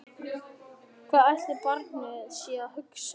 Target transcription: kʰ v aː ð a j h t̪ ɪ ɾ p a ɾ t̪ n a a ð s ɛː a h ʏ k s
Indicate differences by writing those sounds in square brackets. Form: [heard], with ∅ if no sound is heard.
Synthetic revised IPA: kʰ v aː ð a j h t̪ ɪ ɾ p a ɾ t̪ n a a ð s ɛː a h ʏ k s